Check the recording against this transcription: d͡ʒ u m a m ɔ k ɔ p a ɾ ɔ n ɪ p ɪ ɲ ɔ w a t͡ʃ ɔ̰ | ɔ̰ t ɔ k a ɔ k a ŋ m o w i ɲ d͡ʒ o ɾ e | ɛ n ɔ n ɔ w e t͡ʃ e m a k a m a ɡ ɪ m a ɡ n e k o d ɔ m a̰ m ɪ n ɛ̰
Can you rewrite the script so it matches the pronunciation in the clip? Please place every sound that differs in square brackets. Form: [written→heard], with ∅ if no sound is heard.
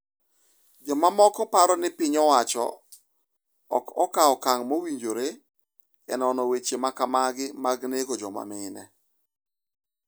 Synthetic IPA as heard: d͡ʒ [u→ɔ] m a m ɔ k ɔ p a ɾ ɔ n ɪ p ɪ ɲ ɔ w a t͡ʃ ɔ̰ | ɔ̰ [t→k] ɔ k a ɔ k a ŋ m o w i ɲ d͡ʒ o ɾ e | ɛ n ɔ n ɔ w e t͡ʃ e m a k a m a ɡ ɪ m a ɡ n e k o [d→d͡ʒ] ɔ m a̰ m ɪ n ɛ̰